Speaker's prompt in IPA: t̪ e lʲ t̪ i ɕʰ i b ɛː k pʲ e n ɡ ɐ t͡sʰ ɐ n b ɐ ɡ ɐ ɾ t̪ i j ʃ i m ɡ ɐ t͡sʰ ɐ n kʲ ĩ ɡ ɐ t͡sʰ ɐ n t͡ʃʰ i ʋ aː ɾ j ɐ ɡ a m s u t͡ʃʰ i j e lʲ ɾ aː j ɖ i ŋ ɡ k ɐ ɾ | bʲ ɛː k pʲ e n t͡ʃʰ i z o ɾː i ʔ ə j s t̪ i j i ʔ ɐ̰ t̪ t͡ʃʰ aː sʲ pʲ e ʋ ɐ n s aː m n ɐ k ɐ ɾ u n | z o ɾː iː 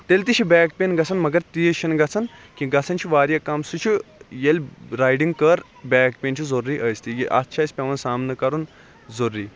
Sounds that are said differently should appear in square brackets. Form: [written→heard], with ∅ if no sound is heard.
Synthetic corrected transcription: t̪ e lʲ t̪ i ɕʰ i b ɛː k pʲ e n ɡ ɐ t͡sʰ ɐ n [b→m] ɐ ɡ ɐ ɾ t̪ i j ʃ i [m→n] ɡ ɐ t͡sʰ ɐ n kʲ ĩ ɡ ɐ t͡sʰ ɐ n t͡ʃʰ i ʋ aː ɾ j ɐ [ɡ→k] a m s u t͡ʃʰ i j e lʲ ɾ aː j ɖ i ŋ ɡ k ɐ ɾ | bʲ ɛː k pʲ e n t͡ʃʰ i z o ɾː i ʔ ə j s t̪ i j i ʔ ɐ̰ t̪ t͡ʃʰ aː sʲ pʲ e ʋ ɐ n s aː m n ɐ k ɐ ɾ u n | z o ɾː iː